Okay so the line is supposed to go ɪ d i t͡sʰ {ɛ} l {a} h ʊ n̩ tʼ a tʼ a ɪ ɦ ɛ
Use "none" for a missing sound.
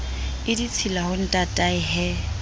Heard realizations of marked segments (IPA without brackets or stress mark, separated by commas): i, a